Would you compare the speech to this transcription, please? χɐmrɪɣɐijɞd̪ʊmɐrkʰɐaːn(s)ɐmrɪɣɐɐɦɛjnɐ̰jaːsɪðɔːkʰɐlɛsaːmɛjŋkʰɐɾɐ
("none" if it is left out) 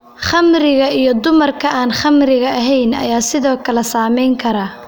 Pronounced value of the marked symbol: χ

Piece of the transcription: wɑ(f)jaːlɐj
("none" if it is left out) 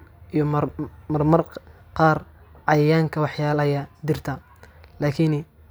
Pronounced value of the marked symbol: ħ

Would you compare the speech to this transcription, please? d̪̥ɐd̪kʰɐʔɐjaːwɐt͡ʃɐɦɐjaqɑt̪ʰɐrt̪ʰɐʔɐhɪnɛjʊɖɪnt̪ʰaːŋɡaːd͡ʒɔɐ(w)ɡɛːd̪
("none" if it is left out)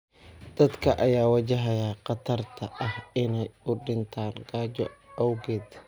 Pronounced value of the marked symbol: w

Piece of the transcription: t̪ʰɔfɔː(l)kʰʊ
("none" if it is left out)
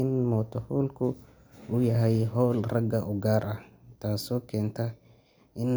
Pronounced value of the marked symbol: l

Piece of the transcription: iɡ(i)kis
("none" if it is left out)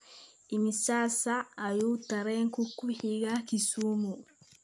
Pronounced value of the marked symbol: a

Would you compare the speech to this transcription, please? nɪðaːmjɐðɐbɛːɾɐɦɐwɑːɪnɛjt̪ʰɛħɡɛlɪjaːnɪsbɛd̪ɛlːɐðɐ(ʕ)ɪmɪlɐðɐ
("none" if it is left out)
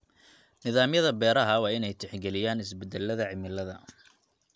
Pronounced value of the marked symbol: ʕ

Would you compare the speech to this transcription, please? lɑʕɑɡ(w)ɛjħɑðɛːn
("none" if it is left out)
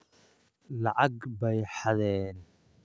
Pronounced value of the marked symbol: b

